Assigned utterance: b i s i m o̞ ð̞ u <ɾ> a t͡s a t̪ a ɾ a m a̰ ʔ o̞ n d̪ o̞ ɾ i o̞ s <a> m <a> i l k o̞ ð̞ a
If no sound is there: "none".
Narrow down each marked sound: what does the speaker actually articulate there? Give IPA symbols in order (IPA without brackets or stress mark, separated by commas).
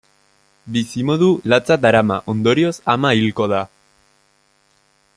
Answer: l, a, a